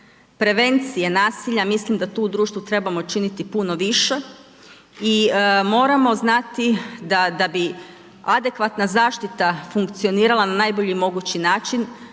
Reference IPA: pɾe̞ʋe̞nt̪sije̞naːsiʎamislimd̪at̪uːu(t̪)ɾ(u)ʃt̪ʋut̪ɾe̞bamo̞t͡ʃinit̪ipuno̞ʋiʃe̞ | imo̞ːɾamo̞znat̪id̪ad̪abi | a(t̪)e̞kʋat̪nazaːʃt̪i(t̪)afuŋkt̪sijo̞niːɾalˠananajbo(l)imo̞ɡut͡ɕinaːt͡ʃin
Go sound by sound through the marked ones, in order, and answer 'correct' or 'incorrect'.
incorrect, incorrect, incorrect, correct, incorrect

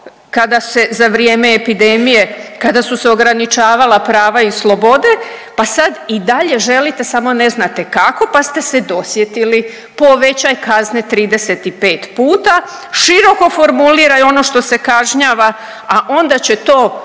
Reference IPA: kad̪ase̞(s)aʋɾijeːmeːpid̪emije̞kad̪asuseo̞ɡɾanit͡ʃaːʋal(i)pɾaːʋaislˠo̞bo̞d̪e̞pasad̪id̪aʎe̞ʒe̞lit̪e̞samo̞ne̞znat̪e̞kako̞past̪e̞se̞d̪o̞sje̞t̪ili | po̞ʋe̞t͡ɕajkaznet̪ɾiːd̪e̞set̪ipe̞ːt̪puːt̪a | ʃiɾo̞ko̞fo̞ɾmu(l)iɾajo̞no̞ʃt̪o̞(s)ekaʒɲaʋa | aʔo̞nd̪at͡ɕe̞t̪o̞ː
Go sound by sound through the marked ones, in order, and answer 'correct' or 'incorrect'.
incorrect, incorrect, correct, correct

